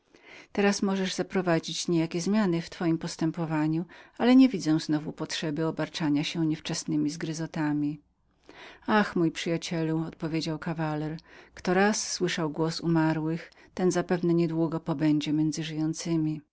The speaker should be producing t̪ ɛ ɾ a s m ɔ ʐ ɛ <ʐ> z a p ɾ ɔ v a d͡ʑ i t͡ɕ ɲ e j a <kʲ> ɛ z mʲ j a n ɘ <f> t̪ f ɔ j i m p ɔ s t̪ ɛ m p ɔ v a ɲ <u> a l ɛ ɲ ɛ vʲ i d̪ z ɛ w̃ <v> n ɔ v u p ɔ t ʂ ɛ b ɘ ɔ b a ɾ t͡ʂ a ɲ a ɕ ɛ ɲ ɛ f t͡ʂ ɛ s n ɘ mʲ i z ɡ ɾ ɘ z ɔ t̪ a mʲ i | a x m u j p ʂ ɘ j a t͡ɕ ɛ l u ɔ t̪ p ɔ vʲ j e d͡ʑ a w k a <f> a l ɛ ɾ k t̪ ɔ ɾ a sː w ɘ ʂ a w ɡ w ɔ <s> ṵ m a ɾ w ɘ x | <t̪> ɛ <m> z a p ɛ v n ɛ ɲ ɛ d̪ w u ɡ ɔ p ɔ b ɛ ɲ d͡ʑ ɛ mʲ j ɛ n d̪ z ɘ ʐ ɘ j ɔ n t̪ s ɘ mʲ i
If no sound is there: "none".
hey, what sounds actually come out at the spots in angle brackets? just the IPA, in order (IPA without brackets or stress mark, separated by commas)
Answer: ʐ, kʲ, f, u, z, v, s, t̪, n